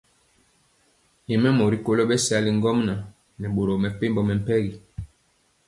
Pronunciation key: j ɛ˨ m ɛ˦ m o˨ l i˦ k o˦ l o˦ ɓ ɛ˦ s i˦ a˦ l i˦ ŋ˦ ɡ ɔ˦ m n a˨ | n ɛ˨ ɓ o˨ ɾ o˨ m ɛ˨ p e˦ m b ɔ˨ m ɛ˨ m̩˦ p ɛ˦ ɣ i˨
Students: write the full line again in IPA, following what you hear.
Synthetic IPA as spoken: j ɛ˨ m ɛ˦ m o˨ ɾ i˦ k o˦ l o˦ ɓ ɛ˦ s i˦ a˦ l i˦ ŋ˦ ɡ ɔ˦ m n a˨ | n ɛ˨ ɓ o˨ ɾ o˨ m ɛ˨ p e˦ m b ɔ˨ m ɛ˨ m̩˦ p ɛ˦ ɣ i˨